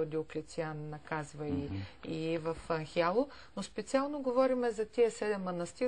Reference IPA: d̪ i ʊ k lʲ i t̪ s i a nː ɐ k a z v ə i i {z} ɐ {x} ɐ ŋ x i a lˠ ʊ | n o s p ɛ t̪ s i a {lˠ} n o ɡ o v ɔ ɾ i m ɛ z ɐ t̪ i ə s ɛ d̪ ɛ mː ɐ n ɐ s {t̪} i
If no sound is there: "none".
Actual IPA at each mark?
v, f, lˠ, t̪

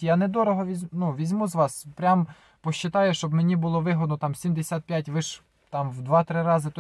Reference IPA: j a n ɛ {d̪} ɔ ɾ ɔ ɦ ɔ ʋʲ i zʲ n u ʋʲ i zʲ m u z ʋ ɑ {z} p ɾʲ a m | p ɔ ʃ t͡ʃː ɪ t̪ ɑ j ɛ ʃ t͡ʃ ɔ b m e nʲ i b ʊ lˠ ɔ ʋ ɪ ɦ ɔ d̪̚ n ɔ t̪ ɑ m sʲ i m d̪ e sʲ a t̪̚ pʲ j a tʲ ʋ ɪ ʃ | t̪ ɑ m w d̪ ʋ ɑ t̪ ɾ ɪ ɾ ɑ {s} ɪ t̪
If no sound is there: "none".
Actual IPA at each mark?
d̪, s, z

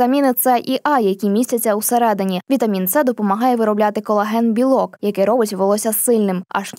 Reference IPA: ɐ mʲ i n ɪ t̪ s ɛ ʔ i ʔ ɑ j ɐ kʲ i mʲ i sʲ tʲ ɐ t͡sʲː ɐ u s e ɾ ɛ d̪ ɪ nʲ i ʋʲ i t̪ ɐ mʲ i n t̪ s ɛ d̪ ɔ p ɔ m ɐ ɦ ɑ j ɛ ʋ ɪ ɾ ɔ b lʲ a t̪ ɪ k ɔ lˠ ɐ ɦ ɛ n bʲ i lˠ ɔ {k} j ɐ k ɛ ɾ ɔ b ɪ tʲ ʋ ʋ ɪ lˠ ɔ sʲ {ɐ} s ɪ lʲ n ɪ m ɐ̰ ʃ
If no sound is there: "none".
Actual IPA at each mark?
k, ɐ

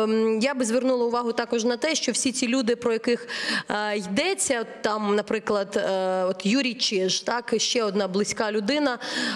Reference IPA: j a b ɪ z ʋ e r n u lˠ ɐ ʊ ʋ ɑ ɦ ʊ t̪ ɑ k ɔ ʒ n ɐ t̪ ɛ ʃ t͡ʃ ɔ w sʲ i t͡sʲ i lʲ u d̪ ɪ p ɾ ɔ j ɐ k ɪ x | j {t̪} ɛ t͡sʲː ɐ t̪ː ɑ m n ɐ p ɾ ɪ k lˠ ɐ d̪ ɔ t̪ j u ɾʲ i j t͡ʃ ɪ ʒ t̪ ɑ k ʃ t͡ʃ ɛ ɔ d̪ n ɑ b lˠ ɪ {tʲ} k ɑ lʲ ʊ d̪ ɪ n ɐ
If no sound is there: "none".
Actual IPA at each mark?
d̪, sʲ

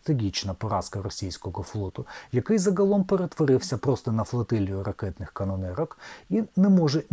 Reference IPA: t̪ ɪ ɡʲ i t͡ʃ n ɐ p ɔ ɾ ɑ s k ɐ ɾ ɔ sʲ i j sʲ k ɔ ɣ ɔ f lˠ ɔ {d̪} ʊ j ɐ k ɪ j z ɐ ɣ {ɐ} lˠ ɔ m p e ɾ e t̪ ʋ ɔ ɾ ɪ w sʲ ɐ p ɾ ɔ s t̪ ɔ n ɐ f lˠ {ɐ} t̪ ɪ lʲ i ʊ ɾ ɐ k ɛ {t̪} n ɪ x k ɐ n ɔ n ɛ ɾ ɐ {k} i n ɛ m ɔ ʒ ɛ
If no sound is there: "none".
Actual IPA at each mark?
t̪, ɐ, ɐ, t̪, k

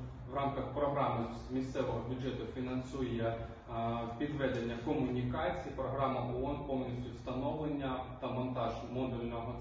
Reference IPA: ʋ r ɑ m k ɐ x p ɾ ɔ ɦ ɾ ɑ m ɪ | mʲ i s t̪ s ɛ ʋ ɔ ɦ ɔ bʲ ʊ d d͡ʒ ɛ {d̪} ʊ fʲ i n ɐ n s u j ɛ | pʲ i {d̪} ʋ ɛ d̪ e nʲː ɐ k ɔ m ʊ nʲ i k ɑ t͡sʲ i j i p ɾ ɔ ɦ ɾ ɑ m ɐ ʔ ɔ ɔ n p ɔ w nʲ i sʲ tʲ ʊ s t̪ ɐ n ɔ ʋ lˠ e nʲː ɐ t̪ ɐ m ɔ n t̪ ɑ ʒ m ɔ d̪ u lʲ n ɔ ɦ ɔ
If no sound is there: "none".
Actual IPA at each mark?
t̪, d̪

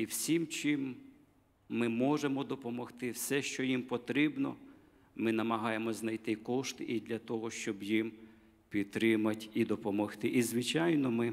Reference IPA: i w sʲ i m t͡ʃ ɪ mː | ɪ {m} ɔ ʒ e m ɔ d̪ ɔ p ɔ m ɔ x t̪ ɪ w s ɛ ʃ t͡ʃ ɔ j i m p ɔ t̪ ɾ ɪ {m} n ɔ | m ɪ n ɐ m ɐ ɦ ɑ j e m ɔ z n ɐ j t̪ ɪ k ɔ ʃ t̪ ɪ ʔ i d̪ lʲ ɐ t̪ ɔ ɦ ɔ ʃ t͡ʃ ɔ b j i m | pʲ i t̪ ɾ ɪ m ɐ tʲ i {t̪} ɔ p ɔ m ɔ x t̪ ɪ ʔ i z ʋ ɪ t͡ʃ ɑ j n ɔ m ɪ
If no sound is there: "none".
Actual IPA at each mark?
m, b, d̪

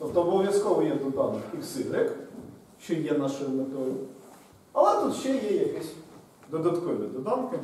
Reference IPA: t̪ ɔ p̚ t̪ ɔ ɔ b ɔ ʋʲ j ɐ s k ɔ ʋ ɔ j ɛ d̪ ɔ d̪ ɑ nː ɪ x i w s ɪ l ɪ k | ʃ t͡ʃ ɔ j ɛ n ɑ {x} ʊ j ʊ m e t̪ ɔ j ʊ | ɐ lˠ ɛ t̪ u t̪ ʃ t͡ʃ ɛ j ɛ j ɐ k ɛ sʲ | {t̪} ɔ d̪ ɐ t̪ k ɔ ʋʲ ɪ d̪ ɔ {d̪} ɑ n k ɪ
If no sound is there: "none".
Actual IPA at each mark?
ʃ, d̪, d̪

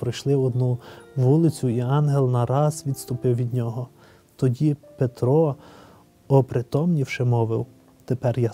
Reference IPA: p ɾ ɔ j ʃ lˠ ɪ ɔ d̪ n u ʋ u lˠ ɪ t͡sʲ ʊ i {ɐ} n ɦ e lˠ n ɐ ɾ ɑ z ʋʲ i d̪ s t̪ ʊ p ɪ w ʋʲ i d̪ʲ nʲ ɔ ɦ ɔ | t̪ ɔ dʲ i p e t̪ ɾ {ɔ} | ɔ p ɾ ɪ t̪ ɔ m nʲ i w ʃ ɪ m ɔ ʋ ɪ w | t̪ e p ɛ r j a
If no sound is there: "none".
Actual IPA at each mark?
ɑ, ɔ

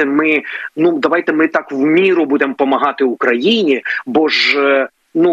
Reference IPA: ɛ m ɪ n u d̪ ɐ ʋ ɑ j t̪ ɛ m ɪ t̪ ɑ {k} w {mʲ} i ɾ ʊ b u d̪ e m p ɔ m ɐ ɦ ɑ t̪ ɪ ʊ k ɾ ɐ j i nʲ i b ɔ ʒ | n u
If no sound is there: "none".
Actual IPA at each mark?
k, mʲ

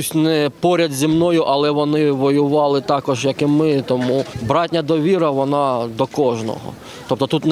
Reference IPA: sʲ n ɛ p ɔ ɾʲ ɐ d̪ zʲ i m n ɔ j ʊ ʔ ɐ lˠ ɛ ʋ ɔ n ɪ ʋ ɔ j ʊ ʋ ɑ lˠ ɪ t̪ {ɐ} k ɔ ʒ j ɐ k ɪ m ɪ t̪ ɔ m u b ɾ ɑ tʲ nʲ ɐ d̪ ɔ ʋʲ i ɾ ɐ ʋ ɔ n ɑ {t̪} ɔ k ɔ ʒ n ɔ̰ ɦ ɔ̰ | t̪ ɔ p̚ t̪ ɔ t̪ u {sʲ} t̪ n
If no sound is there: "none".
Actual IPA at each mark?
ɑ, d̪, none

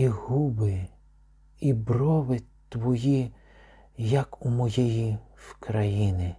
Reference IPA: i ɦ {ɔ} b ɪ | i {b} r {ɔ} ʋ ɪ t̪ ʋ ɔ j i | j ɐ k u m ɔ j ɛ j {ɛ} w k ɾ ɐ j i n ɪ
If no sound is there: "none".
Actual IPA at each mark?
u, b, ɔ, i

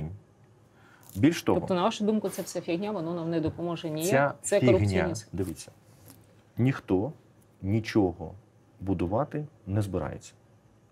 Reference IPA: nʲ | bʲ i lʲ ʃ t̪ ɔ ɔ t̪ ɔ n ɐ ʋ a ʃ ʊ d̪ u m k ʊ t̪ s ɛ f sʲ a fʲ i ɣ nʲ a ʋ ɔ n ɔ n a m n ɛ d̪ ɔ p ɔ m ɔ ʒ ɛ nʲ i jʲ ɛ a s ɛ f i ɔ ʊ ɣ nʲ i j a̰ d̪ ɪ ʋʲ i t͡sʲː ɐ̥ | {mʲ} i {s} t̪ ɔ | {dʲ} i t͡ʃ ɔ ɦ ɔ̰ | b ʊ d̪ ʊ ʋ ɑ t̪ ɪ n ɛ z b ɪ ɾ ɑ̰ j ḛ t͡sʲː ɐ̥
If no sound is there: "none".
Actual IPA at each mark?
nʲ, x, nʲ

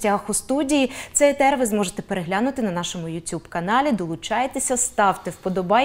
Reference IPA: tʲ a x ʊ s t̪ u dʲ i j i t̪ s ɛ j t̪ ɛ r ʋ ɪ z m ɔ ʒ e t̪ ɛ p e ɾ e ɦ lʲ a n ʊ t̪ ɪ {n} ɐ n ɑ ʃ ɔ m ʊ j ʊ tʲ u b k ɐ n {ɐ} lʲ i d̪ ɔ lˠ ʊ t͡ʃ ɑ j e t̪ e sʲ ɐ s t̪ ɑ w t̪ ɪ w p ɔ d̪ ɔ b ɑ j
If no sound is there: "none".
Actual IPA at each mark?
n, ɑ

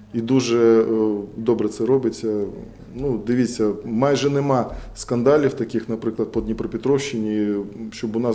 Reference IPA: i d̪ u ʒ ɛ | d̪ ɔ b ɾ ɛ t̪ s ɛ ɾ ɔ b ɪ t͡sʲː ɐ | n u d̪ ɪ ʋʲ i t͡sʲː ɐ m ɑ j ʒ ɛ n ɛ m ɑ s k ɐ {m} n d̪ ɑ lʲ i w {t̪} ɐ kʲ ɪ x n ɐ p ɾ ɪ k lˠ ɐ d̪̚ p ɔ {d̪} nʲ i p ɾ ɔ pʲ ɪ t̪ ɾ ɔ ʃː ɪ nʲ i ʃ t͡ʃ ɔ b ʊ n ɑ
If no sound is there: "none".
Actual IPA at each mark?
none, t̪, d̪

